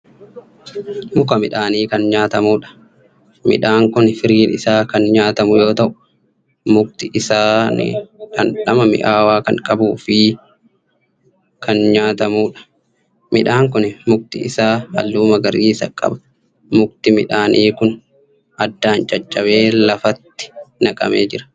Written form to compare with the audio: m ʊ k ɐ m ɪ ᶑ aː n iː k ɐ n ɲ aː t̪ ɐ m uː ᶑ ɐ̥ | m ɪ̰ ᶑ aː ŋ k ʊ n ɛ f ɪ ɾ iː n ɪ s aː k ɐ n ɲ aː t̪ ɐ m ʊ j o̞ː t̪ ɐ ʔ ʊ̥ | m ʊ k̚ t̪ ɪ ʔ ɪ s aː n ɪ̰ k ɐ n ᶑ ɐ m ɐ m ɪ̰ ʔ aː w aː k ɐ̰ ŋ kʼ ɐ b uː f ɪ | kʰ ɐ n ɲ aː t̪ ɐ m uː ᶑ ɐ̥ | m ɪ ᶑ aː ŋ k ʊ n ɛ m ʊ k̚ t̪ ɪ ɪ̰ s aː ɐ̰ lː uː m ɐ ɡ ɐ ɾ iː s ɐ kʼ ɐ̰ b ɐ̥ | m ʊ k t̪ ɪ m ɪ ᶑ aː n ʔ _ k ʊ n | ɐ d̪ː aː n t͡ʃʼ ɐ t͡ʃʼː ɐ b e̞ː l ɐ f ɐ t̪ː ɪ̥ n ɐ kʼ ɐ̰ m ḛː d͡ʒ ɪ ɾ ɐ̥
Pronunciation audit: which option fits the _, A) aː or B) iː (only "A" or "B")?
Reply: B